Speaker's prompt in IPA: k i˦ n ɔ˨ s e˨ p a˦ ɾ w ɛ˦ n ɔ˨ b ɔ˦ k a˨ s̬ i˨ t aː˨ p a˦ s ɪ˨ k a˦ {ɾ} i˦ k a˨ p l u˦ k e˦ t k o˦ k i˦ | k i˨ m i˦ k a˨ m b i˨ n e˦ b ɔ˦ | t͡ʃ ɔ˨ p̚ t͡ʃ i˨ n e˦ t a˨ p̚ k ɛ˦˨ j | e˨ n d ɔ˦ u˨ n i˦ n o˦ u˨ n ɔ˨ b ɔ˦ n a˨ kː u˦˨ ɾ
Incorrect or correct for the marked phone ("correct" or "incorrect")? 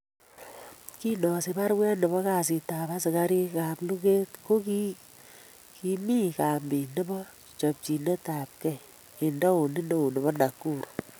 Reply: correct